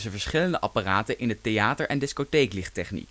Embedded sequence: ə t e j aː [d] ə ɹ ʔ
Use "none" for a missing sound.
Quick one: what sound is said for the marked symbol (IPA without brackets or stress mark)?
t